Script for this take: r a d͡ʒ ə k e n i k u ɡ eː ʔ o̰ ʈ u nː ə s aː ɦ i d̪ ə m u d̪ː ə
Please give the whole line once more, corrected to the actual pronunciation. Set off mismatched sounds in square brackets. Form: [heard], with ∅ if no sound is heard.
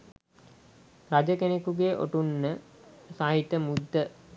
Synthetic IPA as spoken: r a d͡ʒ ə k e n [e] k u ɡ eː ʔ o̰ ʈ u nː ə s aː ɦ i [t̪] ə m u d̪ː ə